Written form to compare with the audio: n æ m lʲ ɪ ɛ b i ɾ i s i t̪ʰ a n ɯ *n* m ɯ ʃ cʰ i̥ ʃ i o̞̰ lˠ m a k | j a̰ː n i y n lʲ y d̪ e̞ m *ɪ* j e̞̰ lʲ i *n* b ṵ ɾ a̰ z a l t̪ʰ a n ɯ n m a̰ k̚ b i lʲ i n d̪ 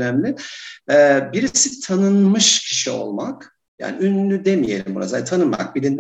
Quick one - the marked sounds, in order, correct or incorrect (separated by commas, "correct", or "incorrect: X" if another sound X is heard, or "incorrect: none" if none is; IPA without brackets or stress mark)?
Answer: correct, incorrect: i, incorrect: m